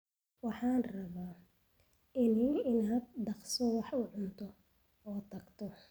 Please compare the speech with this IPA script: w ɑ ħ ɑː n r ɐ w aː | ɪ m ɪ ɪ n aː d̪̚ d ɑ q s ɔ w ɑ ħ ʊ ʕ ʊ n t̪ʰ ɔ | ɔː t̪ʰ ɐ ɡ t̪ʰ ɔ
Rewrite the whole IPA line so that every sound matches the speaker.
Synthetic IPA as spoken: w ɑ ħ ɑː n r ɐ β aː | ɪ n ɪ ɪ n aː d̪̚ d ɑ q s ɔ w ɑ ħ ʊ ʕ ʊ n t̪ʰ ɔ | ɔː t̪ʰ ɐ ɡ t̪ʰ ɔ